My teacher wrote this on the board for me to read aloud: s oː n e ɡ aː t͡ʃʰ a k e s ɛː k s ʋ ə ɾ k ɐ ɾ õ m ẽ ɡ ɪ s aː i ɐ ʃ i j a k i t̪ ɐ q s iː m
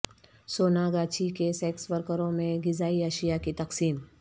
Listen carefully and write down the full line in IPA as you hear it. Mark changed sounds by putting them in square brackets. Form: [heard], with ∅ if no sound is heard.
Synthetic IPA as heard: s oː n [a] ɡ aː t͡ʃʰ [i] k e s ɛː k s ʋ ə ɾ k [ə] ɾ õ m ẽ ɡ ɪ [z] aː i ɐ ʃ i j a k i t̪ ɐ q s iː m